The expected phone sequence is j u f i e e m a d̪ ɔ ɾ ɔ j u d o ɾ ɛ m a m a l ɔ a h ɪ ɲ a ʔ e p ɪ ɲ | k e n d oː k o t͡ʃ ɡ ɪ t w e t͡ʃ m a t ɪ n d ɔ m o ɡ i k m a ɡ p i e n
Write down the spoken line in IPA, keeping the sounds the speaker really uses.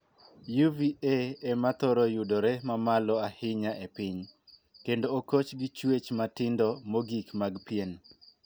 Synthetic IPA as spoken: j u v i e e m a t̪ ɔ ɾ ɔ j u d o ɾ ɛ m a m a l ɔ a h ɪ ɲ a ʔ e p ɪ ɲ | k e n d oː k o t͡ʃ ɡ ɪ t͡ʃ w e t͡ʃ m a t ɪ n d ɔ m o ɡ i k m a ɡ p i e n

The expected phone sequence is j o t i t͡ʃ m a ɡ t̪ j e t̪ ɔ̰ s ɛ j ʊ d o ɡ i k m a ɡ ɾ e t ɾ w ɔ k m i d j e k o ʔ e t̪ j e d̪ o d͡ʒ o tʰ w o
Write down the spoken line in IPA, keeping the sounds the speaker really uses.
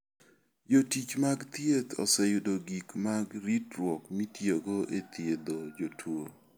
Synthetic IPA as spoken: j o t i t͡ʃ m a ɡ t̪ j e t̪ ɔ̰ s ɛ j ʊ d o ɡ i k m a ɡ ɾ i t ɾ w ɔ k m i t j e ɡ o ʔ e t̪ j e d̪ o d͡ʒ o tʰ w o

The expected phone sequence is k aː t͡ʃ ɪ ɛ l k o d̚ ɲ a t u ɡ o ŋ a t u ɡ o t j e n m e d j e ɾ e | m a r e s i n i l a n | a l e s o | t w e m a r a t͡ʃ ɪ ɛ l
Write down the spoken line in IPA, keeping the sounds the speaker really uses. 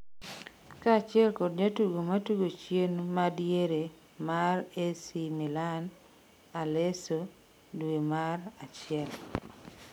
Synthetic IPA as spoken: k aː t͡ʃ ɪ ɛ l k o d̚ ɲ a t u ɡ o m a t u ɡ o t͡ʃ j e n m a d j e ɾ e | m a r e s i m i l a n | a l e s o | d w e m a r a t͡ʃ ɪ ɛ l

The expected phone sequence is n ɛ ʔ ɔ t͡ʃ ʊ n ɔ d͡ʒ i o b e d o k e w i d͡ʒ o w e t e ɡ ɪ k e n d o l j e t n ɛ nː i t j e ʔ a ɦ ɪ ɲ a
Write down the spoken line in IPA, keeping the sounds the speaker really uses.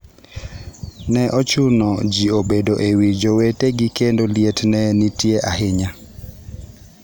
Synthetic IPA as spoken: n ɛ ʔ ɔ t͡ʃ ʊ n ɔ d͡ʒ i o b e d o ʔ e w i d͡ʒ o w e t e ɡ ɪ k e n d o l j e t n ɛ n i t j e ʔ a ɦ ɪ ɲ a

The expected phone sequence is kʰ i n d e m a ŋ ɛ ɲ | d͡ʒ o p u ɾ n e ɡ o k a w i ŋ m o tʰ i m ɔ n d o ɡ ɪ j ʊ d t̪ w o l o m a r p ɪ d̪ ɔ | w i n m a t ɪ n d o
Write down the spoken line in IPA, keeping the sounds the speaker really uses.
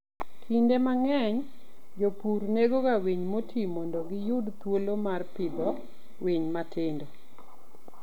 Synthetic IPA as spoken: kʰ i n d e m a ŋ ɛ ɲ | d͡ʒ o p u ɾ n e ɡ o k a w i ɲ m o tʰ i m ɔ n d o ɡ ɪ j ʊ d t̪ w o l o m a r p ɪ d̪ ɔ | w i ɲ m a t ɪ n d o

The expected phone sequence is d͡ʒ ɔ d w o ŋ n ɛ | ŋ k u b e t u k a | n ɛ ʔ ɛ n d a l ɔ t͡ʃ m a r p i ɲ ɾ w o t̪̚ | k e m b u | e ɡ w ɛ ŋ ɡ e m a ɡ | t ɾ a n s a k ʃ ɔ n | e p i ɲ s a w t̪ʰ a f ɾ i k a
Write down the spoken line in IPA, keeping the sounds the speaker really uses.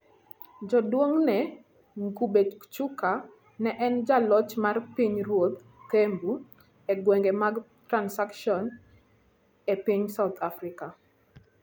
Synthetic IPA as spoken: d͡ʒ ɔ d w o ŋ n ɛ | ŋ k u b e t͡ʃ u k a | n ɛ ʔ ɛ n d͡ʒ a l ɔ t͡ʃ m a r p i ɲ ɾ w o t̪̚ | k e m b u | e ɡ w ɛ ŋ ɡ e m a ɡ | t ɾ a n s a k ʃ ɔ n | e p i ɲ s a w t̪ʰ a f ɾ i k a

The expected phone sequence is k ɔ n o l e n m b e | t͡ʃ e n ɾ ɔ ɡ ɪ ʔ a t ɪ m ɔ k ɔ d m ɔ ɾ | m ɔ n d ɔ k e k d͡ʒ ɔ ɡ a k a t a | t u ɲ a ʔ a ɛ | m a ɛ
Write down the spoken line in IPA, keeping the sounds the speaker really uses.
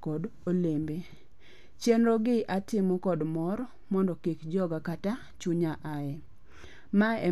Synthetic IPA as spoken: k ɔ d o l e m b e | t͡ʃ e n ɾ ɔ ɡ ɪ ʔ a t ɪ m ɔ k ɔ d m ɔ ɾ | m ɔ n d ɔ k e k d͡ʒ ɔ ɡ a k a t a | t͡ʃ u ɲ a ʔ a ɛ | m a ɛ

